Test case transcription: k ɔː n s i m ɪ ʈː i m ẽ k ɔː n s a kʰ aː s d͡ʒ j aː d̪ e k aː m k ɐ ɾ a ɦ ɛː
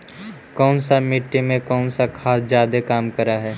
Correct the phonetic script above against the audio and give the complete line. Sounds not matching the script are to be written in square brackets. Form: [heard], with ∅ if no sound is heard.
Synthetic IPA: k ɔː n s [a] m ɪ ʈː i m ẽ k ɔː n s a kʰ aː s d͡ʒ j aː d̪ e k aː m k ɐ ɾ a ɦ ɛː